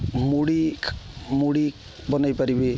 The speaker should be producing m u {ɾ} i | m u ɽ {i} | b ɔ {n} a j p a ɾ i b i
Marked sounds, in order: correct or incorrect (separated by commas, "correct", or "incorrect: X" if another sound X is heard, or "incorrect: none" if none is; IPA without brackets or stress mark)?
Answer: incorrect: ɽ, correct, correct